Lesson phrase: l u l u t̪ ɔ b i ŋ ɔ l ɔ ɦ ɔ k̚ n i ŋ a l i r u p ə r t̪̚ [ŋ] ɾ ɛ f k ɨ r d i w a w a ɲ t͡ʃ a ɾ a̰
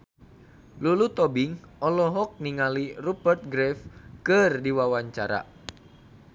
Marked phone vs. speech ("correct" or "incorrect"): incorrect